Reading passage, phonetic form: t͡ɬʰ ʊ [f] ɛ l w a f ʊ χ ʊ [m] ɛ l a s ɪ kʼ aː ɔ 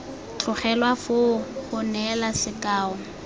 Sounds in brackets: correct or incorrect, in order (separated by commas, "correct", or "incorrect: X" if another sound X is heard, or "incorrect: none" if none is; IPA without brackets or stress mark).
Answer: incorrect: χ, incorrect: n